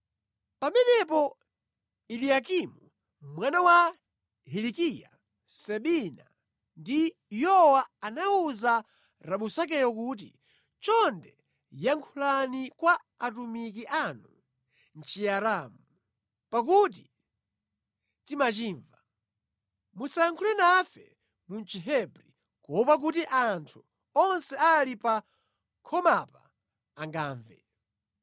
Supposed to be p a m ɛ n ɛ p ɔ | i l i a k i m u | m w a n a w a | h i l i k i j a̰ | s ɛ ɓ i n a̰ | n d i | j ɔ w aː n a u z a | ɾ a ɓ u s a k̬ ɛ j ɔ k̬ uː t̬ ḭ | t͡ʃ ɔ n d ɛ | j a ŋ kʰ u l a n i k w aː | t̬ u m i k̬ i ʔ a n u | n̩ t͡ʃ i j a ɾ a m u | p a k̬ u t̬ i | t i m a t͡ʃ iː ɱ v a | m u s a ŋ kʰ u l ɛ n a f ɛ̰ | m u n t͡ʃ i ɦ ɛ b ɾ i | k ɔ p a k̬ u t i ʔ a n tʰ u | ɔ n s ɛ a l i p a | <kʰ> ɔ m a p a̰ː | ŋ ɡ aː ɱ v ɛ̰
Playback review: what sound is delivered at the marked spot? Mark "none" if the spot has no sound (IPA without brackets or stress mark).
kʰ